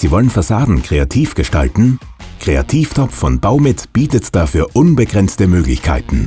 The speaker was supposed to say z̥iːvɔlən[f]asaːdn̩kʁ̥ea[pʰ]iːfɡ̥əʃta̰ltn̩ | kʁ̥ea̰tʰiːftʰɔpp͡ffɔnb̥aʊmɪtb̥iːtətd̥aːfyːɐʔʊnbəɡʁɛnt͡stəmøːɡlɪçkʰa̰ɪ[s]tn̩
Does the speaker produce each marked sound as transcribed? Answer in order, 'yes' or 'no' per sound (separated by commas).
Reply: yes, no, no